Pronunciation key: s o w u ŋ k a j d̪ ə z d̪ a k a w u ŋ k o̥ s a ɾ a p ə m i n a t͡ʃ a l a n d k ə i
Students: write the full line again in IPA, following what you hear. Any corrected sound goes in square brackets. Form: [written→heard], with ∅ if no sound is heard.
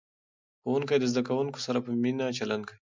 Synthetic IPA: [s→x] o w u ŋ k a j d̪ ə z d̪ a k a w u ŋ k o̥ s a ɾ a p ə m i n a t͡ʃ a l a n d k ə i

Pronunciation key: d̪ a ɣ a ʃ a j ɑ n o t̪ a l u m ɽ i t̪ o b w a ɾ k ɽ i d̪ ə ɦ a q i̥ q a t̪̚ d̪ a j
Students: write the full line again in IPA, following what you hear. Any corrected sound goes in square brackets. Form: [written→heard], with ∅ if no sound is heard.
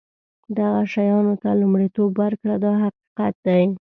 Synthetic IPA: d̪ a ɣ a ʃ a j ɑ n o t̪ a l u m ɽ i t̪ o b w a ɾ k ɽ [i→a] d̪ [ə→ɑ] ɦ a q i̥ q a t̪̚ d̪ a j

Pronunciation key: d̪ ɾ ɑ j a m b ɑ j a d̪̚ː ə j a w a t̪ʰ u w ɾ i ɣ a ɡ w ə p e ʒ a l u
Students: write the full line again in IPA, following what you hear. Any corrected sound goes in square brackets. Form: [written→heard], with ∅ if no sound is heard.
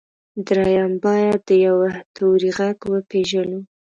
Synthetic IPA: d̪ ɾ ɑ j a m b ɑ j a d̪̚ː ə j a w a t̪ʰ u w ɾ i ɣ a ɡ w ə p e ʒ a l u

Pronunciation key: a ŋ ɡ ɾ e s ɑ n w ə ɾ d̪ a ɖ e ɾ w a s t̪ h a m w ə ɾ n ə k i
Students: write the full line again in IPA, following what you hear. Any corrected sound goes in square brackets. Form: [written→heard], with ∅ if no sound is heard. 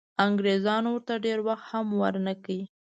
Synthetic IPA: a ŋ ɡ ɾ e [s→z] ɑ n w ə ɾ [d̪→t̪] a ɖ e ɾ w a [s→x] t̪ h a m w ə ɾ n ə k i

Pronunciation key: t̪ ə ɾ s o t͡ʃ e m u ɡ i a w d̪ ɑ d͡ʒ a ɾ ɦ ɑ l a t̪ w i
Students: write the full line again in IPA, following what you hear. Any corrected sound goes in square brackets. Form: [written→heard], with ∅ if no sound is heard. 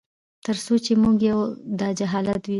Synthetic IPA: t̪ ə ɾ s o t͡ʃ e m u ɡ [i→j] a w d̪ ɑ d͡ʒ a [ɾ→∅] ɦ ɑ l a t̪ w i

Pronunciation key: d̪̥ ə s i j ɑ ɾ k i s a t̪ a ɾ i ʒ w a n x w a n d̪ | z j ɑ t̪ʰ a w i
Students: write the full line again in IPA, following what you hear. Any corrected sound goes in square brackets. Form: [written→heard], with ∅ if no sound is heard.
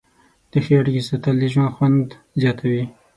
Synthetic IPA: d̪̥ ə [s→x] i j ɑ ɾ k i s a t̪ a [ɾ→l] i ʒ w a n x w a n d̪ | z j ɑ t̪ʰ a w i

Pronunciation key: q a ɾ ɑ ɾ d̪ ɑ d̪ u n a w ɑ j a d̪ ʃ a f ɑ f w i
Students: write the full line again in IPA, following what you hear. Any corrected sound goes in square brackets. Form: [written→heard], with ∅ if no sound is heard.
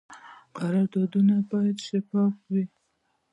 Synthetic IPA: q a ɾ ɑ ɾ d̪ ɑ d̪ u n a [w→b] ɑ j a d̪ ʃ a f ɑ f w i

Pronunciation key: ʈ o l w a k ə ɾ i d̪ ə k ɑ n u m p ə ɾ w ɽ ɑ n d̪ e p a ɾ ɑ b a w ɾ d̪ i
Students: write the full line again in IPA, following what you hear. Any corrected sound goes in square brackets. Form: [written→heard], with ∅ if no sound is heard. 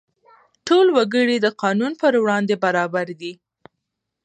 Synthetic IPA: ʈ o l w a [k→ɡ] ə [ɾ→ɽ] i d̪ ə [k→q] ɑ n u [m→n] p ə ɾ w ɽ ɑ n d̪ e [p→b] a ɾ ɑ b a [w→∅] ɾ d̪ i

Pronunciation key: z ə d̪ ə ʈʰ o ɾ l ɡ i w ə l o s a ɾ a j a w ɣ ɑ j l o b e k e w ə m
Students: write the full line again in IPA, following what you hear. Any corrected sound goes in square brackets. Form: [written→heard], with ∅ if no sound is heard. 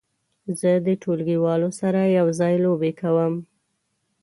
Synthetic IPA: z ə d̪ ə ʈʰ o [ɾ→∅] l ɡ i w [ə→ɑ] l o s a ɾ a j a w [ɣ→z] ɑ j l o b e k [e→a] w ə m

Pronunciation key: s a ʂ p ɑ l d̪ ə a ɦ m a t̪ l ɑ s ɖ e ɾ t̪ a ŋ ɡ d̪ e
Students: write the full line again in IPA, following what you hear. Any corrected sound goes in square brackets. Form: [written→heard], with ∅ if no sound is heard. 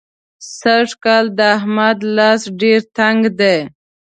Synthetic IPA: s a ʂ [p→k] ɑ l d̪ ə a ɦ m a [t̪→d̪] l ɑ s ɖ e ɾ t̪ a ŋ ɡ d̪ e

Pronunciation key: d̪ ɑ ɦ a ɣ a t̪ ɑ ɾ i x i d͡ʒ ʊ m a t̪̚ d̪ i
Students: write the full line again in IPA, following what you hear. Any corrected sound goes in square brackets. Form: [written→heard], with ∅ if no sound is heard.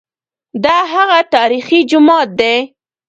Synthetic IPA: d̪ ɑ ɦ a ɣ a t̪ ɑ ɾ i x i d͡ʒ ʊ m [a→ɑ] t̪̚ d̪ [i→e]

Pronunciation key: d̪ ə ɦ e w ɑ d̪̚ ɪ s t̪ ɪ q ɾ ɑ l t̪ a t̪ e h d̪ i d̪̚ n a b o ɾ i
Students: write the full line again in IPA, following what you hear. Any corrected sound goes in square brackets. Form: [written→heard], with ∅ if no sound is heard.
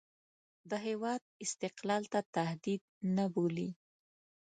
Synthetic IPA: d̪ ə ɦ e w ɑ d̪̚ ɪ s t̪ ɪ q [ɾ→l] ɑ l t̪ a t̪ [e→a] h d̪ i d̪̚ n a b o [ɾ→l] i

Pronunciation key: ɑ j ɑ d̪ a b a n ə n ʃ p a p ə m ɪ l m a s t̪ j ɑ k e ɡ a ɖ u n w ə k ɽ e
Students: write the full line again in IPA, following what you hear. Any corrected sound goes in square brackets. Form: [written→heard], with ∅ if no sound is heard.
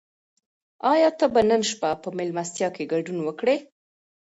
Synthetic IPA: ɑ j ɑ [d̪→t̪] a b a n ə n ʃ p a p ə m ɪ l m a s t̪ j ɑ k e ɡ a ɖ u n w ə k ɽ e

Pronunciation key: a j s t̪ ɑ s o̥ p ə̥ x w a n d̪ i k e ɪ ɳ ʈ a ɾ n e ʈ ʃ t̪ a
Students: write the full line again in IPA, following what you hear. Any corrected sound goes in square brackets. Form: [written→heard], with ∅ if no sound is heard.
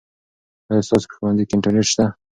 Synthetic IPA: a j s t̪ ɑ s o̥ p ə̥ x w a n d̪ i k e ɪ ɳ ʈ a ɾ n e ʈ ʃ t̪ a

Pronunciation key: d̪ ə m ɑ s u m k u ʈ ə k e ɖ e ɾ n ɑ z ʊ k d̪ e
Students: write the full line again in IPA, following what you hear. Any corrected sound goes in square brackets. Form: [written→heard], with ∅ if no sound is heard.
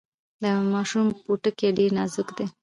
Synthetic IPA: d̪ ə m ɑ [s→ʃ] u m [k→p] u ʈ ə k e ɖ e ɾ n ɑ z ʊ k d̪ e

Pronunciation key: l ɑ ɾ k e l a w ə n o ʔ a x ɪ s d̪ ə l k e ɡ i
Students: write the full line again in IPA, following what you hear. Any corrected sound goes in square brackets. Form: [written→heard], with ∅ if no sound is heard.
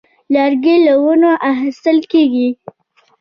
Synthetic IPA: l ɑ ɾ [k→ɡ] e l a w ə n o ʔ a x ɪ s [d̪→t̪] ə l k e ɡ i

